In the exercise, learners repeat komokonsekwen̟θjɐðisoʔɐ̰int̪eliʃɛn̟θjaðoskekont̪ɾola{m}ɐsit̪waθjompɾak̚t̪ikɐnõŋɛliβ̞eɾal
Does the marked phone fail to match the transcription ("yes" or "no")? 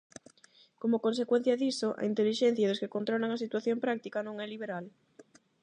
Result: yes